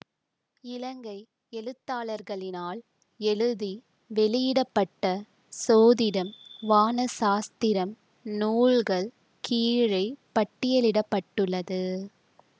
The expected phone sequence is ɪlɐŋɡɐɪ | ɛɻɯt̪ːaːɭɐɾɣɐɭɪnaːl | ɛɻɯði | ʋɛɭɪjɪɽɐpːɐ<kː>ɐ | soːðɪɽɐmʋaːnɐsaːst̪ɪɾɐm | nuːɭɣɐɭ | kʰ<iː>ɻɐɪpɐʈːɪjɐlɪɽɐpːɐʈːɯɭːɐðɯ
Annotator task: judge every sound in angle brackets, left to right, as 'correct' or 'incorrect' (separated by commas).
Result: incorrect, correct